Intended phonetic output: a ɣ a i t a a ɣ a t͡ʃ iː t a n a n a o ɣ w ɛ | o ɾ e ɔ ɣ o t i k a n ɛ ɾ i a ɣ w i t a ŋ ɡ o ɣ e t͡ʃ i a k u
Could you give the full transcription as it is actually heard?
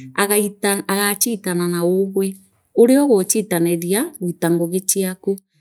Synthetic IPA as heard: a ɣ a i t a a ɣ a t͡ʃ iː t a n a n a o ɣ w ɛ | o ɾ e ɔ ɣ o t͡ʃ i t a n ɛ ɾ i a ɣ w i t a ŋ ɡ o ɣ e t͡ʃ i a k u